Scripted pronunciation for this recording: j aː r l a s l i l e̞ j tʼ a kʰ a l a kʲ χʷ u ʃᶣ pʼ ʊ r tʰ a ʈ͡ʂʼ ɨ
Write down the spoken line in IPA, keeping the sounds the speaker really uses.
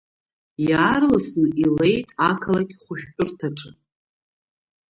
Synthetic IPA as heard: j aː r l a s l i l e̞ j tʼ a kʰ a l a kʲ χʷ ʊ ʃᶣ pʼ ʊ r tʰ a ʈ͡ʂʼ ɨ